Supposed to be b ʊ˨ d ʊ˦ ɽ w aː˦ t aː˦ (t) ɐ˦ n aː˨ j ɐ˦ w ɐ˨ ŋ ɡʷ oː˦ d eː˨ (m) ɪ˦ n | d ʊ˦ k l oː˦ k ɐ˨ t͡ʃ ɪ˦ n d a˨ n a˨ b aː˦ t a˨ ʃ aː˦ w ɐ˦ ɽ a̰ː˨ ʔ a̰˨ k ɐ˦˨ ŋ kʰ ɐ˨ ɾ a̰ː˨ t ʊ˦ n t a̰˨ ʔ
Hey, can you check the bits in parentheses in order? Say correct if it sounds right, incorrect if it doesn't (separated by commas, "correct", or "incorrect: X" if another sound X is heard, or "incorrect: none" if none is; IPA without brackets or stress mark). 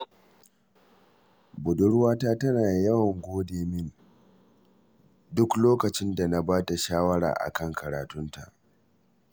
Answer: correct, correct